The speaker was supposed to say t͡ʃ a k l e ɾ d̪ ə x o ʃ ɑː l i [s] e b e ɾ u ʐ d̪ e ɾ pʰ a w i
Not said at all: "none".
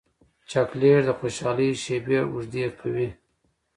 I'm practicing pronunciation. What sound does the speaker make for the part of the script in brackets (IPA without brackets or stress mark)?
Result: ʃ